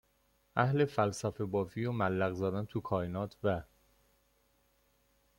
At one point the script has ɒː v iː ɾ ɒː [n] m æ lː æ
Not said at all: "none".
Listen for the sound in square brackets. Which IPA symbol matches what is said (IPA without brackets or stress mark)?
none